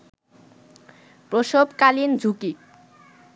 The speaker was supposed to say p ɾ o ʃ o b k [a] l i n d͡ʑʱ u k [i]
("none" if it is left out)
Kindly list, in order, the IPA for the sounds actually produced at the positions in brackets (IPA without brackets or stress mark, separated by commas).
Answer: a, i